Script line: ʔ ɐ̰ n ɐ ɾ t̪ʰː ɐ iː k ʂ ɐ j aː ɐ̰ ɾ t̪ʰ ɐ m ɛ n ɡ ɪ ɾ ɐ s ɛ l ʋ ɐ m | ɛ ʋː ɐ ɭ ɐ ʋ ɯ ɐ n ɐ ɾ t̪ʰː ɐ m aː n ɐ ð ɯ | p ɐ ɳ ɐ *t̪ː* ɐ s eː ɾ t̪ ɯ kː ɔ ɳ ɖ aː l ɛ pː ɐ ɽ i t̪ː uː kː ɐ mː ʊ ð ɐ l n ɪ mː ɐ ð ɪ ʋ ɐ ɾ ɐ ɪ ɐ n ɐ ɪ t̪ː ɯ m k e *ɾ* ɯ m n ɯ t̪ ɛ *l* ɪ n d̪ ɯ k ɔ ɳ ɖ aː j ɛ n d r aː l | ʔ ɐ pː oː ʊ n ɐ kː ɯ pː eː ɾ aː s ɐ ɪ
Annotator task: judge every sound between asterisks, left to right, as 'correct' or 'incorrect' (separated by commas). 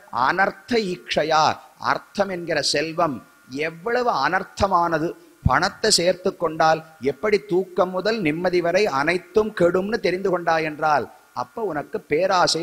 correct, incorrect, incorrect